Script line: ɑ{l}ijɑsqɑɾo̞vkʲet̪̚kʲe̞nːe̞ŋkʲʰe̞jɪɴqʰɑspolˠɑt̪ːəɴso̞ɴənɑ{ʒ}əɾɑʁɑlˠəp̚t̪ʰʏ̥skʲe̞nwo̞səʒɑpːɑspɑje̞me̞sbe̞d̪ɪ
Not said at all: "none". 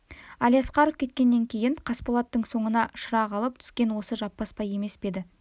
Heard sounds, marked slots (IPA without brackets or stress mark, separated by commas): l, ʃ